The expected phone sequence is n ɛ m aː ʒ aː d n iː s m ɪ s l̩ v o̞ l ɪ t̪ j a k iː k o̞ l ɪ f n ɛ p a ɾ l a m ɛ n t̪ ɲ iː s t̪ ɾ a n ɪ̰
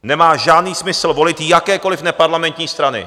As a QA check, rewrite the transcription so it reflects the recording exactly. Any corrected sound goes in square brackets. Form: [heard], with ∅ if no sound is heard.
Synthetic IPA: n ɛ m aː ʒ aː d n iː s m ɪ s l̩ v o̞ l ɪ t̪ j a k [ɛː] k o̞ l ɪ f n ɛ p a ɾ l a m ɛ n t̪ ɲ iː s t̪ ɾ a n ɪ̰

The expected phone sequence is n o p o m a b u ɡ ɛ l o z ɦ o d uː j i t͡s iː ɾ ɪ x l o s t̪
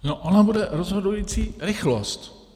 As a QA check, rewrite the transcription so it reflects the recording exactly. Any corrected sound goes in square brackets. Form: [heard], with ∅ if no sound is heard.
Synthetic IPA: n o [ʔ] o [n] a b u [d] ɛ [ɾ] o z ɦ o d [u] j i t͡s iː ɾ ɪ x l o s t̪

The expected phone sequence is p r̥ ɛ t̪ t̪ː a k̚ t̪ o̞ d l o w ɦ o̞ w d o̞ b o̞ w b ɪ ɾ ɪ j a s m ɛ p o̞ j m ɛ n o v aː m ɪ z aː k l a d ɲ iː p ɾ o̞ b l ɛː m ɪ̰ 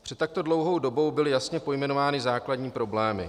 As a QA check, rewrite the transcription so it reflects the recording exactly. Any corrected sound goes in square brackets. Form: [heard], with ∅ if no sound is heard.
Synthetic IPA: p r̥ ɛ t̪ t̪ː a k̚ t̪ o̞ d l o w ɦ o̞ w d o̞ b o̞ w b ɪ [l] ɪ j a s [ɲ] ɛ p o̞ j m ɛ n o v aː [n] ɪ z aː k l a d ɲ iː p ɾ o̞ b l ɛː m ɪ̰

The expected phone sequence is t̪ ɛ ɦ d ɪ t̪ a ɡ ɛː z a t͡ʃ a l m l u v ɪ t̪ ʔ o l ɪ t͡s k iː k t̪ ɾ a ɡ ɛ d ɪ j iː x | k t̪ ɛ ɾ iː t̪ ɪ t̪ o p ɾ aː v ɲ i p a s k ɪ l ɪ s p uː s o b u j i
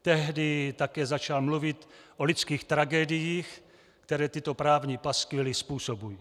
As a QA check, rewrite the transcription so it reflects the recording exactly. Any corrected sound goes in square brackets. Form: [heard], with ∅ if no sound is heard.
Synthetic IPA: t̪ ɛ ɦ d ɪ t̪ a [k] ɛː z a t͡ʃ a l m l u v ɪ t̪ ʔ o l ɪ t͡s k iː [x] t̪ ɾ a ɡ ɛ d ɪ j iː x | k t̪ ɛ ɾ [ɛː] t̪ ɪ t̪ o p ɾ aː v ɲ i p a s k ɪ l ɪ s p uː s o b u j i

